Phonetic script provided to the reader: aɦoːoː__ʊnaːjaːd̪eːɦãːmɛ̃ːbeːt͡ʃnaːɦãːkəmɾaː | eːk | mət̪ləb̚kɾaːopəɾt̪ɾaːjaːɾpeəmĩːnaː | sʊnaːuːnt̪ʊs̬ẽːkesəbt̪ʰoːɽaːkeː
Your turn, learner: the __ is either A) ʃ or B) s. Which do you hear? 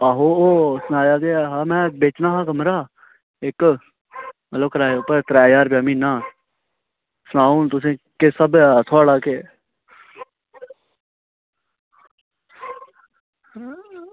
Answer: B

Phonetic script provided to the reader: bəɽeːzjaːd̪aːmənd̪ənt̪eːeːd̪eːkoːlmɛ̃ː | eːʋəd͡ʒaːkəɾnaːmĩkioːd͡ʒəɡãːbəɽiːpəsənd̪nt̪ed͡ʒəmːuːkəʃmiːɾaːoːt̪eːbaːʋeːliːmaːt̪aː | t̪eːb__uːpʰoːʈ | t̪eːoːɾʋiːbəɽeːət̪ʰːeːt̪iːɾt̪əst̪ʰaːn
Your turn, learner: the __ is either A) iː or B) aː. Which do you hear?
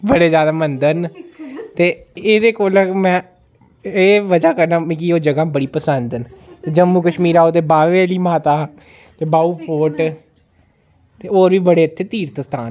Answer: B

